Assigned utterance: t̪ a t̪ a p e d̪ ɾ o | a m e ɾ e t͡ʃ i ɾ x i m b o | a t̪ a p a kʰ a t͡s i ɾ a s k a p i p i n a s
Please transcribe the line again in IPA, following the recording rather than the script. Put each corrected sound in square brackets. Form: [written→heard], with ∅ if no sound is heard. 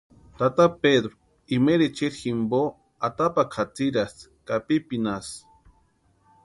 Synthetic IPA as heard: t̪ a t̪ a p e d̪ ɾ o | [a→i] m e ɾ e t͡ʃ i ɾ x i m b o | a t̪ a p a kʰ a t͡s i ɾ a s k a p i p i n a s